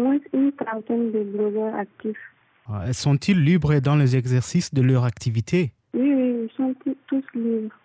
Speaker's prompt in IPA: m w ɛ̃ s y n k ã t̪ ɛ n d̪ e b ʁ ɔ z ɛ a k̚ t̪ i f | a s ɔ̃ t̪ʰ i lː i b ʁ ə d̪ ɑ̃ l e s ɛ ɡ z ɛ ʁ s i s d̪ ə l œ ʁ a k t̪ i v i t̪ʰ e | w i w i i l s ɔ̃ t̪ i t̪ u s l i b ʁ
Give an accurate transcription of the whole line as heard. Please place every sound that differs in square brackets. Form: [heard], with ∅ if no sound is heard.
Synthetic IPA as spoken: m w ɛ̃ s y n k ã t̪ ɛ n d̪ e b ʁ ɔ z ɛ a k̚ t̪ i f | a s ɔ̃ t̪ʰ i lː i b ʁ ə d̪ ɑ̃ l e [z] ɛ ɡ z ɛ ʁ s i s d̪ ə l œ ʁ a k t̪ i v i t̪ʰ e | w i w i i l s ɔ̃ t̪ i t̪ u s l i b ʁ